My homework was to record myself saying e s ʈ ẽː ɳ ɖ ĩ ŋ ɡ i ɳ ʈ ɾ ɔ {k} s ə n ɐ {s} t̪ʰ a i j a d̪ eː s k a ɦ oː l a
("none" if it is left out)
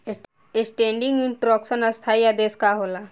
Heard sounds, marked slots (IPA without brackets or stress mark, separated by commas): k, s